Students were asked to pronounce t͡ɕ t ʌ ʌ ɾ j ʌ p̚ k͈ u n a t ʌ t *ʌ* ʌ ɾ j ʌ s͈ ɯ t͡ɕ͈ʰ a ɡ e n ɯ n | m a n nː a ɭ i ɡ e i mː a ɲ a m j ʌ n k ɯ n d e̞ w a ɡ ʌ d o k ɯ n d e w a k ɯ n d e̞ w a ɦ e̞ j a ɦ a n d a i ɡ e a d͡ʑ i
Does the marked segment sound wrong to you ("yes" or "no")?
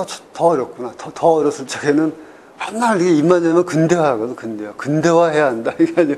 no